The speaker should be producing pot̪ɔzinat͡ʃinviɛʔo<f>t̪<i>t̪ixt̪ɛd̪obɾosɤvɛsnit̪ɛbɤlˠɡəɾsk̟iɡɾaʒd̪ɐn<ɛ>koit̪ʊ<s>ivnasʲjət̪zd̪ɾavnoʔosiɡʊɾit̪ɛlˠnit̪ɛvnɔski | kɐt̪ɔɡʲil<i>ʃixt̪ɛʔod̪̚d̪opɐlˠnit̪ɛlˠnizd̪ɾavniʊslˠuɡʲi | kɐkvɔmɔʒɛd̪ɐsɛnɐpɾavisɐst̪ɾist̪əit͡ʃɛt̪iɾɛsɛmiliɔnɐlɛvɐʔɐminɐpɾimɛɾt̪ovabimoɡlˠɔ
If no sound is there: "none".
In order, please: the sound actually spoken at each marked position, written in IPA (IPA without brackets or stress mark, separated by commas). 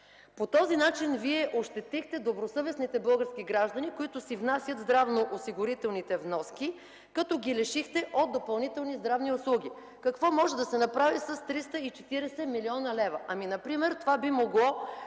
ʃ, ɛ, i, s, ɛ